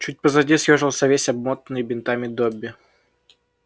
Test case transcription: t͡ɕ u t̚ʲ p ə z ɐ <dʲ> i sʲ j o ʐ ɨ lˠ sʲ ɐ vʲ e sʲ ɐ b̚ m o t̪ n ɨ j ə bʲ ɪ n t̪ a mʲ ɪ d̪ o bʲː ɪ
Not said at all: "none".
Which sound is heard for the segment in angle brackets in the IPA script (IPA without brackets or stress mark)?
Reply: dʲ